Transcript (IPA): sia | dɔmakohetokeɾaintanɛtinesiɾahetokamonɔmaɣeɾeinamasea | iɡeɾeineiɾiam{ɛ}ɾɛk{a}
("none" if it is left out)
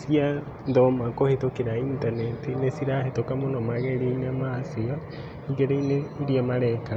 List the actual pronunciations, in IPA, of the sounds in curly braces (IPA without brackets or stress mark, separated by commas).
a, a